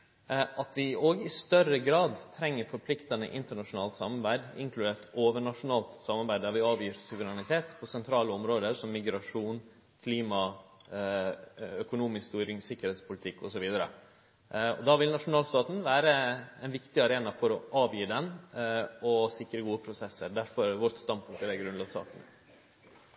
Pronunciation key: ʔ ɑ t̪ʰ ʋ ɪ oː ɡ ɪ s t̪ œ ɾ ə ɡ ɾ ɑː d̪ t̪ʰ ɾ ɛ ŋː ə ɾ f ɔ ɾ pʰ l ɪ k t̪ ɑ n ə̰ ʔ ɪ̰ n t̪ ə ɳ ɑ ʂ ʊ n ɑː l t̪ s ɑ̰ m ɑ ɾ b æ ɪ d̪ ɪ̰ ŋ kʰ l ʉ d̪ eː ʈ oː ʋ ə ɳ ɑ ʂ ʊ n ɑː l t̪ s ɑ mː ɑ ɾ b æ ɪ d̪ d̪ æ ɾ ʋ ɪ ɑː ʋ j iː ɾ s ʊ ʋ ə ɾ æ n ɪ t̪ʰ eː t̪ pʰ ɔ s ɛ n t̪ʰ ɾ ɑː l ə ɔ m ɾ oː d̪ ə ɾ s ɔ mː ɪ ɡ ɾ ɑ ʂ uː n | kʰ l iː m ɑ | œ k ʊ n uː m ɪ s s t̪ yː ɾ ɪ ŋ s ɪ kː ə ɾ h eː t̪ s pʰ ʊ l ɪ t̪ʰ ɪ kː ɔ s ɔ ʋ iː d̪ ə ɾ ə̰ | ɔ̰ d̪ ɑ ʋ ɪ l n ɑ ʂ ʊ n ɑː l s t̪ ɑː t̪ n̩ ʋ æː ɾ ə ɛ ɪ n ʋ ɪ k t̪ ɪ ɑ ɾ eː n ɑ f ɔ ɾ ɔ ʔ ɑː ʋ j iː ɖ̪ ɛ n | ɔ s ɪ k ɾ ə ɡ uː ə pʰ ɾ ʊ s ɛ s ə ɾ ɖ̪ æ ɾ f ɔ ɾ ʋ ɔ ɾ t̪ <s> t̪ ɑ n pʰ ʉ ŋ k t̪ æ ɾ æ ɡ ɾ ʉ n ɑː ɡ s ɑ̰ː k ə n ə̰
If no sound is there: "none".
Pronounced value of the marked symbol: s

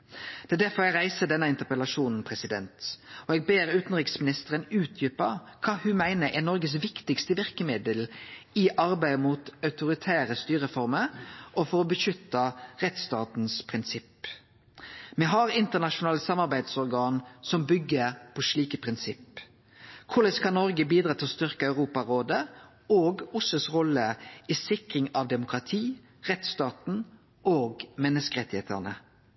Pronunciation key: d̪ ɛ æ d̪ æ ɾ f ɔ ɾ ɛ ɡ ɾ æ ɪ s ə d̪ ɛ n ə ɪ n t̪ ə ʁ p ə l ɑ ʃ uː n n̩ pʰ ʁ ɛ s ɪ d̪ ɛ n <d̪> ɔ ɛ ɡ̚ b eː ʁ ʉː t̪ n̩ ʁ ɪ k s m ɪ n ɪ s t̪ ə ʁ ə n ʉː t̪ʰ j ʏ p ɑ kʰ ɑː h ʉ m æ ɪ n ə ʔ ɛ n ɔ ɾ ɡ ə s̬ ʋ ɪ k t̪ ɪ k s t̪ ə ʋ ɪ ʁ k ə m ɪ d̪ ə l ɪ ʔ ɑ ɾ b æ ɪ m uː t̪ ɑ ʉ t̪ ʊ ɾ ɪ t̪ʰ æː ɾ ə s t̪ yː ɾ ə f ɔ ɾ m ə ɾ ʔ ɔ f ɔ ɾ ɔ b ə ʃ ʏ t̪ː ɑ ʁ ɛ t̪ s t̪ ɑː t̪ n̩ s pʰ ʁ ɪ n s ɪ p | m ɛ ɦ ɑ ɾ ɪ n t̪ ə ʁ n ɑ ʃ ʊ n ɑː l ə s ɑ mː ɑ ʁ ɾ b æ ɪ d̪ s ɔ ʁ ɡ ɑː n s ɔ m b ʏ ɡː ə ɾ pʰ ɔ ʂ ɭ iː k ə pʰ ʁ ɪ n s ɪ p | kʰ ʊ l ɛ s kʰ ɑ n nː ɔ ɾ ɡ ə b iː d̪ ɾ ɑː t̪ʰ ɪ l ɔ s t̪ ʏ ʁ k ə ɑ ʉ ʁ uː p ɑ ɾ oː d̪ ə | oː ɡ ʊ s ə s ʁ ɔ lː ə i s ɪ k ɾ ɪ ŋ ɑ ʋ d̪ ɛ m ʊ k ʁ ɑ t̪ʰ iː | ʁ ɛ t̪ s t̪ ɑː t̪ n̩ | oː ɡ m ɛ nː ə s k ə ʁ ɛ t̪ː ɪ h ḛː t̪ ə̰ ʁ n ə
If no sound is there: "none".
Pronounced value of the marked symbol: t̪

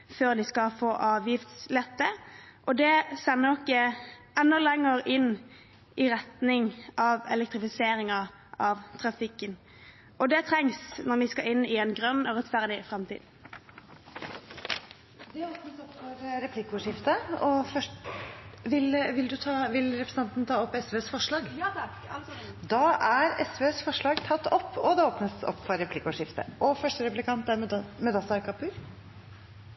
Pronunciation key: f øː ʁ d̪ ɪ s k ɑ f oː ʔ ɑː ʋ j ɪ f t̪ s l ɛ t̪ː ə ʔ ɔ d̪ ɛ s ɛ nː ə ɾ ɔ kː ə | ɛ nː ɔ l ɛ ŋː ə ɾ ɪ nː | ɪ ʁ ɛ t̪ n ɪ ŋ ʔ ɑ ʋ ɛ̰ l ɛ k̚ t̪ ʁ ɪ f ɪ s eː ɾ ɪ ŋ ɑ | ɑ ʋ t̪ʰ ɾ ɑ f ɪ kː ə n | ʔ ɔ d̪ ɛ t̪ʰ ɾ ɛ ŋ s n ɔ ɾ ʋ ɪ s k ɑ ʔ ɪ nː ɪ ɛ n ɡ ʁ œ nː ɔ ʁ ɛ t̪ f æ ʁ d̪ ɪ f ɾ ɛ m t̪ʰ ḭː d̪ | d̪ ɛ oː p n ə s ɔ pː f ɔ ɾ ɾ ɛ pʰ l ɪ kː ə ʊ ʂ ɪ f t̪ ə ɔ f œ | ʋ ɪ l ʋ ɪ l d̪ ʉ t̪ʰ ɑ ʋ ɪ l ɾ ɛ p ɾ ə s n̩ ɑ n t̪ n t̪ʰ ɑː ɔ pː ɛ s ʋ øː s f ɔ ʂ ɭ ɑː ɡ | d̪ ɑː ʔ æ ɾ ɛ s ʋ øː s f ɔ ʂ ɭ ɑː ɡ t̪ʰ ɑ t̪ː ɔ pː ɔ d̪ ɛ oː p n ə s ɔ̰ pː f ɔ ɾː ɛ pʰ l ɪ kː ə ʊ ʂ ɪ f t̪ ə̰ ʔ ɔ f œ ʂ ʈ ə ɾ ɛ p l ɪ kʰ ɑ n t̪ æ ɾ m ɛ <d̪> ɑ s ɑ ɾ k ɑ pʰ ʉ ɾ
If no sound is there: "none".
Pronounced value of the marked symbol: d̪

